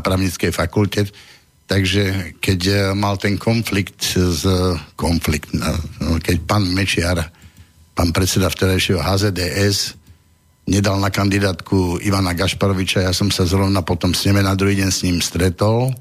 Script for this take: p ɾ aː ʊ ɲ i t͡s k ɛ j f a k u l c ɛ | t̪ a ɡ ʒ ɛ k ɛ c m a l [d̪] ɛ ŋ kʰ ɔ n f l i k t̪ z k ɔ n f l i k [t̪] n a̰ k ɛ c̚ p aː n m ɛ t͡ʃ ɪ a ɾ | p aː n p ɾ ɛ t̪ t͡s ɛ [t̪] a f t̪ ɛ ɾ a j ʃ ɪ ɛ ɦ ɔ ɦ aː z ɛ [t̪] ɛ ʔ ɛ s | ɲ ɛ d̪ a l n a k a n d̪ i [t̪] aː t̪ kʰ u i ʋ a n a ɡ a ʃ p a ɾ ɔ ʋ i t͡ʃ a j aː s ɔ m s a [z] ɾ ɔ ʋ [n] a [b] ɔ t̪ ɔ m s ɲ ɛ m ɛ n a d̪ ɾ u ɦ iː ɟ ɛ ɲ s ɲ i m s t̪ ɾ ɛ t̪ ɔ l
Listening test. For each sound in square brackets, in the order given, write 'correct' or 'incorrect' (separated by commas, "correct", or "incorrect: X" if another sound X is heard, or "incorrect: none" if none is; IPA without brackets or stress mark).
incorrect: t̪, correct, incorrect: d̪, incorrect: d̪, incorrect: d̪, correct, correct, incorrect: p